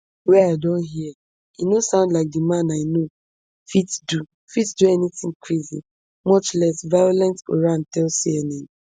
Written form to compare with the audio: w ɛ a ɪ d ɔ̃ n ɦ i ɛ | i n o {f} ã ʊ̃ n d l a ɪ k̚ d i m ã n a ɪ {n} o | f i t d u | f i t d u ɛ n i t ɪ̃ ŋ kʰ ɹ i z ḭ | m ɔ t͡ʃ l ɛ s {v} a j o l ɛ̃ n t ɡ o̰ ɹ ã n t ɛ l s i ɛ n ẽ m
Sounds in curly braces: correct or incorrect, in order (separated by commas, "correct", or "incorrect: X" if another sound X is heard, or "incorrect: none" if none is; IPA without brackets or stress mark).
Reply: incorrect: s, correct, correct